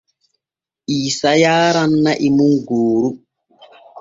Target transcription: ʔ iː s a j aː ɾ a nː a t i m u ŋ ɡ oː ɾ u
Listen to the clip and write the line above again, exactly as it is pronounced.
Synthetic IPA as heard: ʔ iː s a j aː ɾ a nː a ʔ i m u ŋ ɡ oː ɾ u